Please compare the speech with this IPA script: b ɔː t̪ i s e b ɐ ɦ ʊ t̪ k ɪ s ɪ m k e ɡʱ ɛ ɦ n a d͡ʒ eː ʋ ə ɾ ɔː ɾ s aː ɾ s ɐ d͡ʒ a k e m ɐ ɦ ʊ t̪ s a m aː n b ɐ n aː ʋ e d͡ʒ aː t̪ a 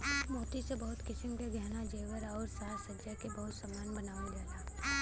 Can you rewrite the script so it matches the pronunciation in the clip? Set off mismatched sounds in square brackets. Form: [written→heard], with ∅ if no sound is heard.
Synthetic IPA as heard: [b→m] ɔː t̪ i s e b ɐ ɦ ʊ t̪ k ɪ s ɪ m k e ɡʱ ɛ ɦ n a d͡ʒ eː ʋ ə ɾ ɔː ɾ s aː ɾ s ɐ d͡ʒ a k e [m→b] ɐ ɦ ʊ t̪ s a m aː n b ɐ n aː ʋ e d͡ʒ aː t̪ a